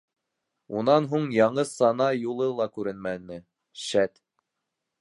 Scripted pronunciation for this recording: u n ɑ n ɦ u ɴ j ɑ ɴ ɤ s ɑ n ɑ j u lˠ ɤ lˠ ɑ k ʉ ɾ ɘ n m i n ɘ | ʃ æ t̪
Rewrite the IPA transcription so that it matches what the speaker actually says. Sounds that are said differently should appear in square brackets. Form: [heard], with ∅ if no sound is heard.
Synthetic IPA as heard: u n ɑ n ɦ u ɴ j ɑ ɴ ɤ s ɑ n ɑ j u lˠ ɤ lˠ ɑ k ʉ ɾ ɘ n m [æ] n ɘ | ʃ æ t̪